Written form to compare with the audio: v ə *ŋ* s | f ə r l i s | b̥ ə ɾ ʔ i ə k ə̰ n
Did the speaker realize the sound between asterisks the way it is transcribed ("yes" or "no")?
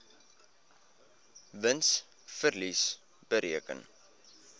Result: no